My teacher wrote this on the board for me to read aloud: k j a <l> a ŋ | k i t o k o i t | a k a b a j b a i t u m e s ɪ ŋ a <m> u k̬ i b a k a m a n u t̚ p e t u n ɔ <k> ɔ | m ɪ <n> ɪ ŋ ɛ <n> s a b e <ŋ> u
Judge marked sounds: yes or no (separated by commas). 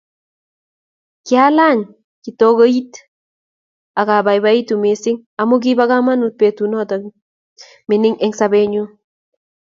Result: yes, yes, no, yes, no, no